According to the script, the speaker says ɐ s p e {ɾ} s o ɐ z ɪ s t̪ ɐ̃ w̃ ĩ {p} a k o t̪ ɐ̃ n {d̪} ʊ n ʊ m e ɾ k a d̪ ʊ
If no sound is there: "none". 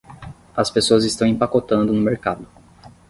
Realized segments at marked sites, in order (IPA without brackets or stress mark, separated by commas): none, p, d̪